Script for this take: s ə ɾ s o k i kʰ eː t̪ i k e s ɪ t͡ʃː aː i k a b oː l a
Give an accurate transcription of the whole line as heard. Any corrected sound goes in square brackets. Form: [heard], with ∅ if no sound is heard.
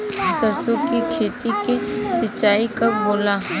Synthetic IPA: s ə ɾ s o k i kʰ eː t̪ i k e s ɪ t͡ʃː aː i k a b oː l a